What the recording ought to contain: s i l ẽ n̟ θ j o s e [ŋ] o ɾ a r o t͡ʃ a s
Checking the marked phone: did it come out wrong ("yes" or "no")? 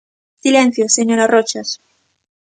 yes